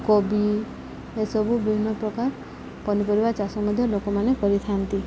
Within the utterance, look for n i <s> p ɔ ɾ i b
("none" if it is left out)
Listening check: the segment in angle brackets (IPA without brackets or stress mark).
none